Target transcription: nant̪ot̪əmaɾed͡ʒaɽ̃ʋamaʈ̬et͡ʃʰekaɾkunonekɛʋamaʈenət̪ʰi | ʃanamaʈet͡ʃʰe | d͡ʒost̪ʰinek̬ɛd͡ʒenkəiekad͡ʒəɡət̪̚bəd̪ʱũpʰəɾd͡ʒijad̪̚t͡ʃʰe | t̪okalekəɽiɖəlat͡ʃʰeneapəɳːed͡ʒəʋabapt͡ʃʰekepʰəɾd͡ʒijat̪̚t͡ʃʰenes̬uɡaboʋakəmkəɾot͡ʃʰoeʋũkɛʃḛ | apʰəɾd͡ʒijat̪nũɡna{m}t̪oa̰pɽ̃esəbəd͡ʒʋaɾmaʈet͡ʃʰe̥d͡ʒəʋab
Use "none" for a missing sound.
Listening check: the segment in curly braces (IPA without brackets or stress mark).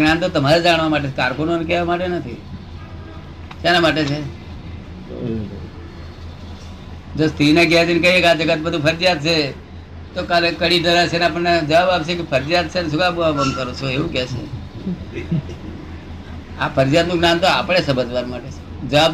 n